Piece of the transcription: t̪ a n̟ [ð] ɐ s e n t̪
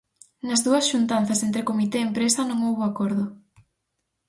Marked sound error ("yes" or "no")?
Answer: yes